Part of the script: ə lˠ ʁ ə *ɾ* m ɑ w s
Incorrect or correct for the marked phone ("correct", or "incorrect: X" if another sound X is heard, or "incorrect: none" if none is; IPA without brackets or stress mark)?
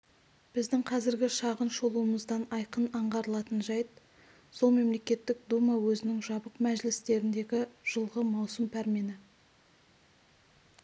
incorrect: none